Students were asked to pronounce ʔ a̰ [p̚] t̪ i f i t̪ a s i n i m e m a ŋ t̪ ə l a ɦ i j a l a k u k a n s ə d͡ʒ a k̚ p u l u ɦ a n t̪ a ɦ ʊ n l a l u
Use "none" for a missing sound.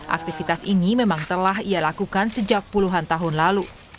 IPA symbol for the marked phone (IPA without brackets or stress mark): k̚